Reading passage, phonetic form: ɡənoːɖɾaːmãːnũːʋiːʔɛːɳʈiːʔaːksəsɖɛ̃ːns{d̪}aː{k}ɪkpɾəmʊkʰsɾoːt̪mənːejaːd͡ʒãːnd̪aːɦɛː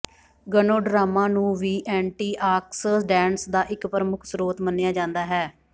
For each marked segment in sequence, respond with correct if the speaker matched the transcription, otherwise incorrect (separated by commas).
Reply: correct, incorrect